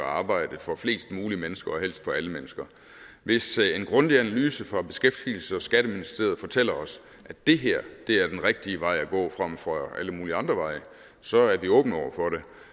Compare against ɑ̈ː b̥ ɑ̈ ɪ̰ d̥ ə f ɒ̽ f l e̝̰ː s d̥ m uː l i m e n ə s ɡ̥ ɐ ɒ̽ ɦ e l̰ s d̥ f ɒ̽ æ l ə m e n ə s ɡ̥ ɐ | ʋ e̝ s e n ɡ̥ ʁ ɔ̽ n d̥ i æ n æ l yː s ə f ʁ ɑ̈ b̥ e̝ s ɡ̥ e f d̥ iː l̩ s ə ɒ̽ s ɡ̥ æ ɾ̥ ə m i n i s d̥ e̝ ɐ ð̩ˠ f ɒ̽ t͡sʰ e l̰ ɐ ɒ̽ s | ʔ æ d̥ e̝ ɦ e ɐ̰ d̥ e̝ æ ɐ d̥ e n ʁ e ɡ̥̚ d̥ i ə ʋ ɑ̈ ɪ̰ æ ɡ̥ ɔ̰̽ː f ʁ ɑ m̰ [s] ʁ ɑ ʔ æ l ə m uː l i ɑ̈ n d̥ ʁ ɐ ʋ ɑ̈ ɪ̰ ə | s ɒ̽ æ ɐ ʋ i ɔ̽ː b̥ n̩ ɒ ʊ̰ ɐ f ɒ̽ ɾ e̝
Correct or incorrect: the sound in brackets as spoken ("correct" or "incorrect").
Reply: incorrect